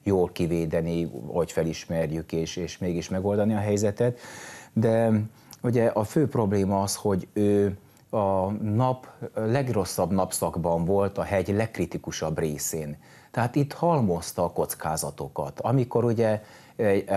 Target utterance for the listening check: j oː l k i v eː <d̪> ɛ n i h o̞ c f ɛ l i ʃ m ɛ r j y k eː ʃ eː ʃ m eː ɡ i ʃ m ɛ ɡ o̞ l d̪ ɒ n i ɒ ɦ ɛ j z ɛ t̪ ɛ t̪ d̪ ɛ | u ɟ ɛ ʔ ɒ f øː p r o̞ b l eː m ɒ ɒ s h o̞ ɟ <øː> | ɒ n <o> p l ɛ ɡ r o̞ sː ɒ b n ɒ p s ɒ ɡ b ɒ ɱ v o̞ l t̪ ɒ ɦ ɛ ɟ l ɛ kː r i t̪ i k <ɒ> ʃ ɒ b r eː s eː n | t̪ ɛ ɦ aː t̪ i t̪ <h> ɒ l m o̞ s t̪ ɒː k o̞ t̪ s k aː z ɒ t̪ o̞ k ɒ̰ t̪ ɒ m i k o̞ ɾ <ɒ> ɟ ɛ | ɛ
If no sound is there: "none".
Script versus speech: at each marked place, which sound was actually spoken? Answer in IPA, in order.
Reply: d̪, øː, ɒ, u, h, u

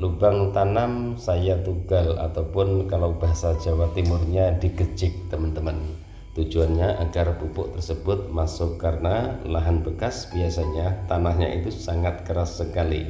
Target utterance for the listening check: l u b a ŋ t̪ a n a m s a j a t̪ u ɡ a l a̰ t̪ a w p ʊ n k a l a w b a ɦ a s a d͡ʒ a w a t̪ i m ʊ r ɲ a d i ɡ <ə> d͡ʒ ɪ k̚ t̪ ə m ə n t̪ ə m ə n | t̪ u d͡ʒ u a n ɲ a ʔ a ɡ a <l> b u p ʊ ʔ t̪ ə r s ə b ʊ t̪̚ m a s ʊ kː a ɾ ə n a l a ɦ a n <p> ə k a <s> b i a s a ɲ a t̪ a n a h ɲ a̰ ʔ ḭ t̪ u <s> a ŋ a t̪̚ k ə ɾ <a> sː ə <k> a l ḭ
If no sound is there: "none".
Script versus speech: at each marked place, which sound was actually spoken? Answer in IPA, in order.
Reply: ə, r, b, s, s, a, k

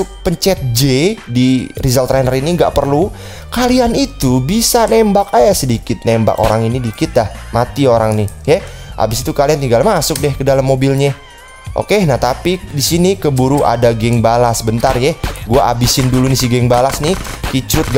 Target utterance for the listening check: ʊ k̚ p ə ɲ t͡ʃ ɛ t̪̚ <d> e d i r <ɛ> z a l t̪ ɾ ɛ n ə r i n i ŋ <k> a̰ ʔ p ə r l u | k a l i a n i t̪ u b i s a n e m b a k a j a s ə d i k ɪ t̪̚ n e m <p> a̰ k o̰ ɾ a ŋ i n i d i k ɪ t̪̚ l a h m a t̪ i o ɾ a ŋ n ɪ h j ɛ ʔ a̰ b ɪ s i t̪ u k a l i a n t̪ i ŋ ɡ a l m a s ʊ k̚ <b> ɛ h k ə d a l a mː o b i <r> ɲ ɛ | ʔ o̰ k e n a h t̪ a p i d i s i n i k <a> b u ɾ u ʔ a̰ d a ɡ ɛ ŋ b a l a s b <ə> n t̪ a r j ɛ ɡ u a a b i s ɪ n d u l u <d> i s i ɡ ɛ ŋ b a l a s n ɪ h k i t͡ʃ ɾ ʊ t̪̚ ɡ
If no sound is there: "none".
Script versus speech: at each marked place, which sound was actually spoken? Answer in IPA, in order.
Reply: d͡ʒ, i, ɡ, b, d, l, ə, ə, n

